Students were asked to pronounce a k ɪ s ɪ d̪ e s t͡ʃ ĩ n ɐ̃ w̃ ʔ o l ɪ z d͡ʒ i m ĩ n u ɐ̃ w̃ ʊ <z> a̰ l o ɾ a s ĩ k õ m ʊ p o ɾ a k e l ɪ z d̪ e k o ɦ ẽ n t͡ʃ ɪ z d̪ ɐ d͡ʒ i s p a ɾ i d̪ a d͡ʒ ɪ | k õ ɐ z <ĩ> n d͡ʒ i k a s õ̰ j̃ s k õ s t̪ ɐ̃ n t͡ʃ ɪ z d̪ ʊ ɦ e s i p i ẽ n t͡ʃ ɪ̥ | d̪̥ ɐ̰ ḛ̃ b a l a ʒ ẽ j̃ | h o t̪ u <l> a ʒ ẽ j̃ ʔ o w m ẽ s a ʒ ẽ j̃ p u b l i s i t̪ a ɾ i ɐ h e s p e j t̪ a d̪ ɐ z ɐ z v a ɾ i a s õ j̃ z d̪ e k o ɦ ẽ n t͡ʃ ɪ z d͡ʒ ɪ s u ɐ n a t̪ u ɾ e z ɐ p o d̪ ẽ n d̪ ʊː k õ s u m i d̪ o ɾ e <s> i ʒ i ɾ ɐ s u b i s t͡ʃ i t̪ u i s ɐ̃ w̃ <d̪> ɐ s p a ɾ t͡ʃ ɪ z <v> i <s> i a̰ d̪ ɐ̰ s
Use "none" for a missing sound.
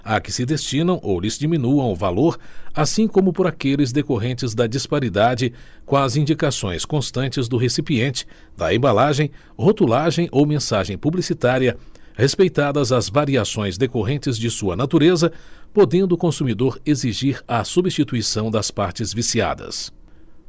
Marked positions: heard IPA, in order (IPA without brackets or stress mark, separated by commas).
v, ĩ, l, z, d̪, v, s